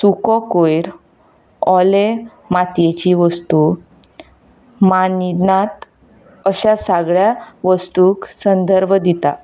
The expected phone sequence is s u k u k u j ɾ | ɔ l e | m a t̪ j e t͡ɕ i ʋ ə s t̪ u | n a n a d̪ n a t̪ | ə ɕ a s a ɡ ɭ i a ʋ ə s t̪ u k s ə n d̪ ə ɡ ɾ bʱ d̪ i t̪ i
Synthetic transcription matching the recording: s u k ɔ k o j ɾ | ɔ l e | m a t̪ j e t͡ɕ i ʋ ə s t̪ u | m a n i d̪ n a t̪ | ə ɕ a s a ɡ ɭ j a ʋ ə s t̪ u k s ə n d̪ ə ɾ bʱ d̪ i t̪ a

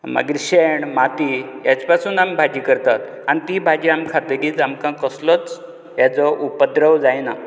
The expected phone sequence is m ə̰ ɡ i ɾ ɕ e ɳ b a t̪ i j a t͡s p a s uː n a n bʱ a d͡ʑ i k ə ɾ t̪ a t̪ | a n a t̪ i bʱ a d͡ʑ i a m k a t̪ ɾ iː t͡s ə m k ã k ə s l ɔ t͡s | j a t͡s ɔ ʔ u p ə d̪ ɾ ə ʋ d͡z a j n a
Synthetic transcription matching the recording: m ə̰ ɡ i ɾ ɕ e ɳ m a t̪ i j a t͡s p a s uː n a m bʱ a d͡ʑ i k ə ɾ t̪ a t̪ | a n i t̪ i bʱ a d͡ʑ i a m kʰ a t̪ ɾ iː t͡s a m k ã k ə s l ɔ t͡s | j a t͡s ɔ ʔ u p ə d̪ ɾ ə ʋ d͡z a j n a

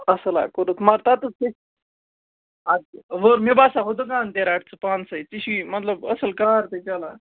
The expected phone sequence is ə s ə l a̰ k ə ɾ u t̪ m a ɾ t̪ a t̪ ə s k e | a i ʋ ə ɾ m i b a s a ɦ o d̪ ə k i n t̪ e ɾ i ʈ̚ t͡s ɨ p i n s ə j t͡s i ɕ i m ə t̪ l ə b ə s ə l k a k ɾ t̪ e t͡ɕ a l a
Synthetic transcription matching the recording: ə s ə l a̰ k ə ɾ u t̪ m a ɾ t̪ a t̪ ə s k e | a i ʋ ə ɾ m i b a s a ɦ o d̪ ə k a n t̪ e ɾ a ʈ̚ t͡s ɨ p a n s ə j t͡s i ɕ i m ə t̪ l ə b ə s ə l k a ɾ t̪ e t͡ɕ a l a

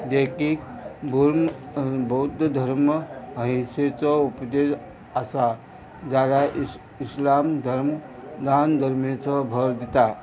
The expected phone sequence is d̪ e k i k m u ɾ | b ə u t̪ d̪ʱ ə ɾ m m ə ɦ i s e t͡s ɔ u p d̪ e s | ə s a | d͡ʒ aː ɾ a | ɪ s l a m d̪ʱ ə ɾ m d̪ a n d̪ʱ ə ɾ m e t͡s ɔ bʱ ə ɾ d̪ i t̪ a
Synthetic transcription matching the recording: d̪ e k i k b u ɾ | b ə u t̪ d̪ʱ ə ɾ m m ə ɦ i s e t͡s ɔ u p d̪ e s | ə s a | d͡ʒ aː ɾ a | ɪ s l a m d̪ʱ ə ɾ m d̪ a n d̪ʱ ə ɾ m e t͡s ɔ bʱ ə ɾ d̪ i t̪ a

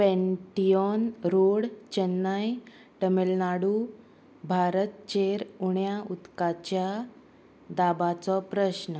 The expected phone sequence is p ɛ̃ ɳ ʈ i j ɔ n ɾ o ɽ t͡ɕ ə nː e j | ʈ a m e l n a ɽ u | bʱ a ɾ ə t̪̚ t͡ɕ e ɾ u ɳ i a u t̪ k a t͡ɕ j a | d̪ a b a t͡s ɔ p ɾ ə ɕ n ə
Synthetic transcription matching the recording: p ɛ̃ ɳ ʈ i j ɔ n ɾ o ɽ t͡ɕ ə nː a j | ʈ ə m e l n a ɽ u | bʱ a ɾ ə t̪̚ t͡ɕ e ɾ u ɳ j a u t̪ k a t͡ɕ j a | d̪ a b a t͡s ɔ p ɾ ə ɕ n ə

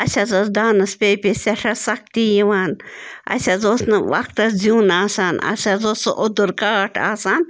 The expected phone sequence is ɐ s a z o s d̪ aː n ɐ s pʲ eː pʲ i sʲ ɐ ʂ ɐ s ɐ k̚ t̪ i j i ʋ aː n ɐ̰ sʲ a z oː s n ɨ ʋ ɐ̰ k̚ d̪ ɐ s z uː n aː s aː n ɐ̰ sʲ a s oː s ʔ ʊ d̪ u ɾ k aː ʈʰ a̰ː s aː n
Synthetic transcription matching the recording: ɐ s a z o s d̪ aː n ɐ s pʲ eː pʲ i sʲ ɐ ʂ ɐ s ɐ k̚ t̪ i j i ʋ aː n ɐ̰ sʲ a z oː s n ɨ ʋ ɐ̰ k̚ t̪ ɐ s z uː n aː s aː n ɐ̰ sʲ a z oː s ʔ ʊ d̪ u ɾ k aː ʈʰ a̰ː s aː n

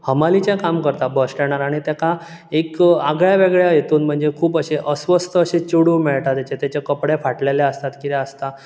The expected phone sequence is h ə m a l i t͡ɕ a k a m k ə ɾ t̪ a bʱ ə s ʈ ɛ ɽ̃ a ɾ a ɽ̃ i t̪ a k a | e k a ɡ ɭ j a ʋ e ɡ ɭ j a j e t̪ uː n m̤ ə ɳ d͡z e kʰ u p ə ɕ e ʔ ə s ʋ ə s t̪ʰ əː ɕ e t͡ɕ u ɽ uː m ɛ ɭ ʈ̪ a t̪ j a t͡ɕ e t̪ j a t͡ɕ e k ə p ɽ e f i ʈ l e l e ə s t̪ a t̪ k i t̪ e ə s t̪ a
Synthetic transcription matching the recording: h ə m a l i t͡ɕ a k a m k ə ɾ t̪ a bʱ ə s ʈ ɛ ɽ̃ a ɾ a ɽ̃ i t̪ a k a | e k a ɡ ɭ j a ʋ e ɡ ɭ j a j e t̪ uː n m̤ ə ɳ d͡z e kʰ uː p ə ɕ e ʔ ə s ʋ ə s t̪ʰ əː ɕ e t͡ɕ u ɽ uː m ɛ ɭ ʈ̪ a t̪ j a t͡ɕ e t̪ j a t͡ɕ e k ə p ɽ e f a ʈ l e l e ə s t̪ a t̪ k i t̪ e ə s t̪ a

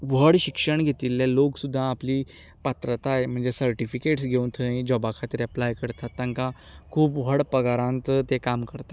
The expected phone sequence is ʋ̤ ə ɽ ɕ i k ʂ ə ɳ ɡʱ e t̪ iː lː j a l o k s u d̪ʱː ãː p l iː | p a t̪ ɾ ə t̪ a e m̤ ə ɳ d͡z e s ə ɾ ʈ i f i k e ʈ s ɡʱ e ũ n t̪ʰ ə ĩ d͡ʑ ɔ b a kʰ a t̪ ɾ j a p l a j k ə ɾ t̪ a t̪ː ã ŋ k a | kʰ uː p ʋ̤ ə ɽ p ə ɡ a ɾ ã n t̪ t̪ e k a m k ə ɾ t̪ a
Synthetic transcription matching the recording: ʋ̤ ə ɽ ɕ i k ʂ ə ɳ ɡʱ e t̪ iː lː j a l o k s u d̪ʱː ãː p l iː | p a t̪ ɾ ə t̪ a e m̤ ə ɳ d͡z e s ə ɾ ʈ i f i k e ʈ s ɡʱ e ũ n t̪ʰ ə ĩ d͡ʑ ɔ b a kʰ a t̪ ɾ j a p l a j k ə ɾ t̪ a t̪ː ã ŋ k a | kʰ uː p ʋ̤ ə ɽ p ə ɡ a ɾ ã n t̪ t̪ e k a m k ə ɾ t̪ a

